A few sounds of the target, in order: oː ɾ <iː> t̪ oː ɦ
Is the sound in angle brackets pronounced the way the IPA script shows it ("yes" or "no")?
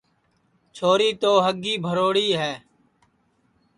yes